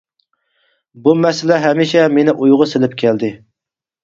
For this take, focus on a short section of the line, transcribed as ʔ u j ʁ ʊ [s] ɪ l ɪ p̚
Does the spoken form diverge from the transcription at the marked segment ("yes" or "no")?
no